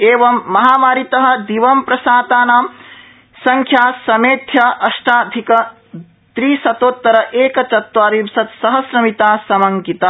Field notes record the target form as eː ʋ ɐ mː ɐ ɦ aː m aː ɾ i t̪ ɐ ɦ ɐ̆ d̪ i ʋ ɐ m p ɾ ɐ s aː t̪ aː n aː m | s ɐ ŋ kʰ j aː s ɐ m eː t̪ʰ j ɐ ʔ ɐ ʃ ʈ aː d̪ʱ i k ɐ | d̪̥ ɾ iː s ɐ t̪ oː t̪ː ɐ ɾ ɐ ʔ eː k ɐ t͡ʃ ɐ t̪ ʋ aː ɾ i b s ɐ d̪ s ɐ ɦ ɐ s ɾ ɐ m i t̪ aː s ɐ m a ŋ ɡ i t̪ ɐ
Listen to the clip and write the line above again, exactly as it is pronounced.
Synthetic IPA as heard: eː ʋ ɐ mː ɐ ɦ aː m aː ɾ i t̪ ɐ ɦ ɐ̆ d̪ i ʋ ɐ m p ɾ ɐ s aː t̪ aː n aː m | s ɐ ŋ kʰ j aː s ɐ m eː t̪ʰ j ɐ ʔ ɐ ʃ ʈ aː d̪ʱ i k ɐ | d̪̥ ɾ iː s ɐ t̪ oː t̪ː ɐ ɾ ɐ ʔ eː k ɐ t͡ʃ ɐ t̪ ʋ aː ɾ i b s ɐ t̪ s ɐ ɦ ɐ s ɾ ɐ m i t̪ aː s ɐ m ɐ ŋ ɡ i t̪ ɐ